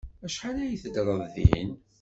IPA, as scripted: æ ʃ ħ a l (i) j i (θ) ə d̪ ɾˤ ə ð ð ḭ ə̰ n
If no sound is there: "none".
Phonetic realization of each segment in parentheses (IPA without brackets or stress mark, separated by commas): æ, θ